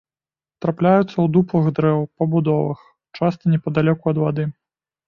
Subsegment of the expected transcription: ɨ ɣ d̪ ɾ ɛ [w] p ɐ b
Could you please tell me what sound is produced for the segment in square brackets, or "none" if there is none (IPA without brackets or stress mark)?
w